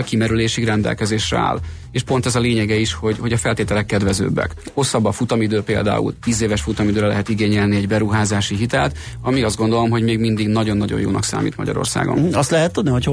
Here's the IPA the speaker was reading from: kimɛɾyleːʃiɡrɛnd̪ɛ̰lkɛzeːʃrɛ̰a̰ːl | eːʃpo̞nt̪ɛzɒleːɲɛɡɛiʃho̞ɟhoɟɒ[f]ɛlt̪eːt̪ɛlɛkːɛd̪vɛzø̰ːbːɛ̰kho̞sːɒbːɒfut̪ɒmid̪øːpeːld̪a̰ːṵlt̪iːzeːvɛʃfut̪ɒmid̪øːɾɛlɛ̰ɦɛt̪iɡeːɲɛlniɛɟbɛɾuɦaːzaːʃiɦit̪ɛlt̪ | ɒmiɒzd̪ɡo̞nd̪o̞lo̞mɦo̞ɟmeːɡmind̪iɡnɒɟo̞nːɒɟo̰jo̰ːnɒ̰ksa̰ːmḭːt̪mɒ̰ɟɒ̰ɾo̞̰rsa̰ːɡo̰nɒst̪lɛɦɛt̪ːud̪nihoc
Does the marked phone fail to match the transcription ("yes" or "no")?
no